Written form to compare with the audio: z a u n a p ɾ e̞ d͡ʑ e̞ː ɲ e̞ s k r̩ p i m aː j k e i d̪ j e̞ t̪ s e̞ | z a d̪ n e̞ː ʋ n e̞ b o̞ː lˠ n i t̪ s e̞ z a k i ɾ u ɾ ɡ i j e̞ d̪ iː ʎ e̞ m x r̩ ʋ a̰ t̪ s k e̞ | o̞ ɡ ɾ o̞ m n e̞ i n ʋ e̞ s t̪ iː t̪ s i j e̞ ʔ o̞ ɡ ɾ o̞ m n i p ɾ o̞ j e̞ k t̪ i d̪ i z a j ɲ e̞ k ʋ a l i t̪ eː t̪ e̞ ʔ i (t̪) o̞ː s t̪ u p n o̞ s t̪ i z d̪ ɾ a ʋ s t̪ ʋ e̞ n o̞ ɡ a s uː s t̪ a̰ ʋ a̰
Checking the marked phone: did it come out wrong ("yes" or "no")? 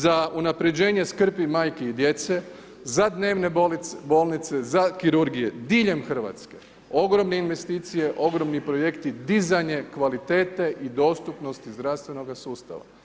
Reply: yes